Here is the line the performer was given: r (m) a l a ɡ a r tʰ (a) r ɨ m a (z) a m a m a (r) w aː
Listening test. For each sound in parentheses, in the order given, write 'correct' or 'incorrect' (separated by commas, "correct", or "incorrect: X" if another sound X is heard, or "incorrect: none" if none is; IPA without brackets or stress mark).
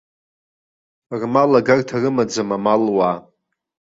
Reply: correct, correct, incorrect: d͡z, incorrect: l